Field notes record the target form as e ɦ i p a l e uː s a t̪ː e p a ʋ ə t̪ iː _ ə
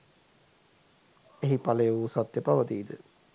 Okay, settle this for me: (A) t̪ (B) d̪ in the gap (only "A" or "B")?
B